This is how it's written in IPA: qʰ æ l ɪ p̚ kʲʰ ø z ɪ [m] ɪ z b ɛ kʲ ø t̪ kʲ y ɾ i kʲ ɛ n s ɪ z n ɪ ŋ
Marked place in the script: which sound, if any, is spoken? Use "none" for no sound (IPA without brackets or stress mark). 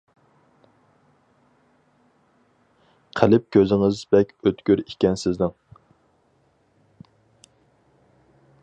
ŋ